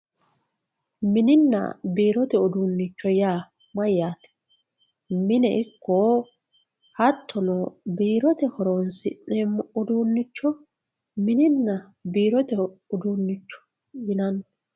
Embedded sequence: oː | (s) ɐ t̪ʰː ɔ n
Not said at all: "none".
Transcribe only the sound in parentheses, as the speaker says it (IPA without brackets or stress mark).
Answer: h